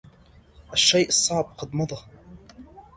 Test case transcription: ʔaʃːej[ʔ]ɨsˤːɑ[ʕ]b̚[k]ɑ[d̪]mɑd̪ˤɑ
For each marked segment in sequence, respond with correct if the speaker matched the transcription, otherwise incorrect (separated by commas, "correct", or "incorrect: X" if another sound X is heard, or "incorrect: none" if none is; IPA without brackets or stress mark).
correct, correct, incorrect: q, correct